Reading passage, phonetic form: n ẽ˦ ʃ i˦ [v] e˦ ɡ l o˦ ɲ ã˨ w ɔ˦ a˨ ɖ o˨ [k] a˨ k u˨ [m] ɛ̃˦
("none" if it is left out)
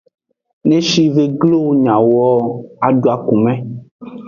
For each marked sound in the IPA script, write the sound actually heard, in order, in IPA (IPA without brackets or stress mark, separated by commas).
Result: v, none, m